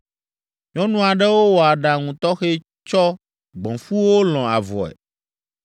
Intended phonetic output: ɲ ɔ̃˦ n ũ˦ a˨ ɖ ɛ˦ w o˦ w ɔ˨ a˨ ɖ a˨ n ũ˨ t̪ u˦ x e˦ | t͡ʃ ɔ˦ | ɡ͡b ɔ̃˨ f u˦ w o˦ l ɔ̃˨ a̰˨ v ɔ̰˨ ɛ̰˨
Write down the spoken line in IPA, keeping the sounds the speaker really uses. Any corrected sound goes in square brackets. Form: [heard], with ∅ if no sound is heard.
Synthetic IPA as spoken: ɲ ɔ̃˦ n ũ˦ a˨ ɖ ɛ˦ w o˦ w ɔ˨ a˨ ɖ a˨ [ŋ] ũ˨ t̪ [ɔ˦] x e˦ | t͡ʃ ɔ˦ | ɡ͡b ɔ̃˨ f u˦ w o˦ l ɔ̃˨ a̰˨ v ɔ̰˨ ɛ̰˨